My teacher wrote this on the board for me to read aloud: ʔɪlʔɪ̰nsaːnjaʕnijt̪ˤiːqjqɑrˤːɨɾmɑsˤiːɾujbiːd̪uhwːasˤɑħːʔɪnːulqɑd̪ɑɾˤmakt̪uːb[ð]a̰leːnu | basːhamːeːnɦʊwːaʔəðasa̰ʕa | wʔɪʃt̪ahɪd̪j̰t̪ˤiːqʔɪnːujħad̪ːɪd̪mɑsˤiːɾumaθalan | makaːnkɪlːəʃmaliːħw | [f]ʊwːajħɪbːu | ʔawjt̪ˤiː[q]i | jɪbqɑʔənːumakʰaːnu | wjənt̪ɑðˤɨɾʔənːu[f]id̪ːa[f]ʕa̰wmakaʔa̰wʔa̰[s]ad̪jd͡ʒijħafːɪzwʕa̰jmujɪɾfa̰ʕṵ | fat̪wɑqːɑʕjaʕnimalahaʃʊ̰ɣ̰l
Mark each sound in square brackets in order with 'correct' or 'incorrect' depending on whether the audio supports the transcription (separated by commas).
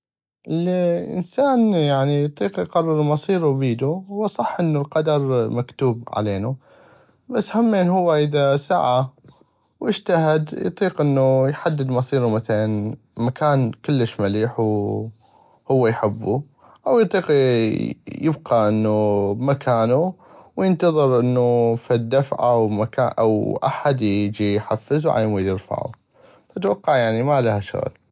incorrect, incorrect, correct, correct, correct, incorrect